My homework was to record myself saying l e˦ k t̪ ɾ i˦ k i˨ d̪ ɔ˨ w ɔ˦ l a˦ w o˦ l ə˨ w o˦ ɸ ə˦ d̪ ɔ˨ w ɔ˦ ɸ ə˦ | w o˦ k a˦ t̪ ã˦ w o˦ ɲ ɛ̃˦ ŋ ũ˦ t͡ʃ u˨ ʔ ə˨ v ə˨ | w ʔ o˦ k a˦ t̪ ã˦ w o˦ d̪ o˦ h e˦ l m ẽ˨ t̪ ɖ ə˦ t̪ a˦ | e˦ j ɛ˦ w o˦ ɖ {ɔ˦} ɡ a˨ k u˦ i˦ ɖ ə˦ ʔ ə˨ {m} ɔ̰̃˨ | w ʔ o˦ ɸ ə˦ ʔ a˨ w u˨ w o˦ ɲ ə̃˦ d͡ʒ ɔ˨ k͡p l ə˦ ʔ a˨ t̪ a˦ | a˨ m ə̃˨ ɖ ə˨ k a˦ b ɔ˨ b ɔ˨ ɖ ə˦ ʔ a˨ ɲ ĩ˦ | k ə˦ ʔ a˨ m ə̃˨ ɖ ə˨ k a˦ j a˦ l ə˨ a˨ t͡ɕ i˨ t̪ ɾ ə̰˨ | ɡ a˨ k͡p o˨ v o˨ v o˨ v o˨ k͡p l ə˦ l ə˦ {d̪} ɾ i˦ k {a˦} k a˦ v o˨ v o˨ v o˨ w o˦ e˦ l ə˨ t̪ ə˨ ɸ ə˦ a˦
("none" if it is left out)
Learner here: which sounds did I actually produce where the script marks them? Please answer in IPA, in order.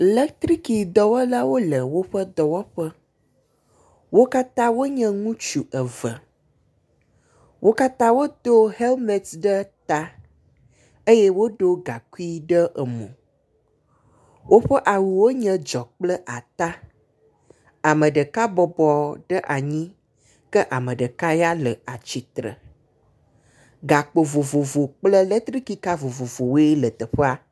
o˦, m, t̪, i˦

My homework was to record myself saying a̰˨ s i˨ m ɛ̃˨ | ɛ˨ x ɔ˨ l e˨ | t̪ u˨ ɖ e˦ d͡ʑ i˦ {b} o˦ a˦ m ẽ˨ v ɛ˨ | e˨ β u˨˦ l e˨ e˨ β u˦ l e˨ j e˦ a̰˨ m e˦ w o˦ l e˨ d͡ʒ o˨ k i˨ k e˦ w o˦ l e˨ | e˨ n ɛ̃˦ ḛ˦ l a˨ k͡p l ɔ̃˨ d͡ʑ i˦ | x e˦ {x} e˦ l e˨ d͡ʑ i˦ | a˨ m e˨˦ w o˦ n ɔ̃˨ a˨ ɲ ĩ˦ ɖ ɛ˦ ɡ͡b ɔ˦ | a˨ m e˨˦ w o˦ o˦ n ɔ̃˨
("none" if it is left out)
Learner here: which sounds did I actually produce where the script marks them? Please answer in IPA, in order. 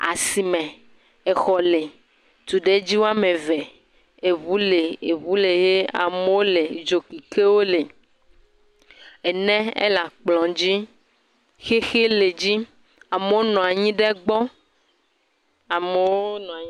w, x

